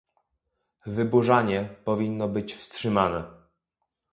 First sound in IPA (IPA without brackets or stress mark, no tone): v